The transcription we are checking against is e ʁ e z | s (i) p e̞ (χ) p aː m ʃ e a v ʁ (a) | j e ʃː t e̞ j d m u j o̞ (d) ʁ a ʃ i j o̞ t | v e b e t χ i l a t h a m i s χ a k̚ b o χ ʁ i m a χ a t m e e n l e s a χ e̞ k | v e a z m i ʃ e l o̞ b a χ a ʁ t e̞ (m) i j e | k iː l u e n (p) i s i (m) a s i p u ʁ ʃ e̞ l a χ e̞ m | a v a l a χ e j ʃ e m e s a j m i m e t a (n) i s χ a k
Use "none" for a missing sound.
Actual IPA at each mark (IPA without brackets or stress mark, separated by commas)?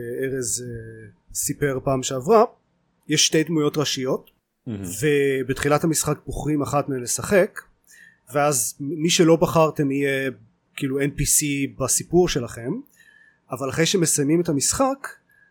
i, ʁ, a, t, m, p, b, m